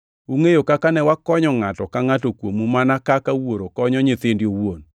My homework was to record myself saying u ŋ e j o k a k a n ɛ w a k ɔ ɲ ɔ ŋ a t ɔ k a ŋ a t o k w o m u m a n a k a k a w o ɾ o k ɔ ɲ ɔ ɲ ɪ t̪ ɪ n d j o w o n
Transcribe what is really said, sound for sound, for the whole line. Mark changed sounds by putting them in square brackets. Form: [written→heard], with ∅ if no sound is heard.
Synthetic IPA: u ŋ e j o k a k a n ɛ w a k ɔ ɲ ɔ ŋ a t ɔ k a ŋ a t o k w o m u m a n a k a k a w o ɾ o k ɔ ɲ ɔ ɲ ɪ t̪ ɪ n d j o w o n